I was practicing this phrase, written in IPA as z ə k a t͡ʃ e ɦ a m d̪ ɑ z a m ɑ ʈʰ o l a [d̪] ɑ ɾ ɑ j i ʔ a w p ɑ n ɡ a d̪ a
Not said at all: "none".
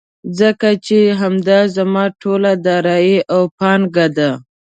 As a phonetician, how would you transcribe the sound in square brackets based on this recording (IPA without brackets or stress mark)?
d̪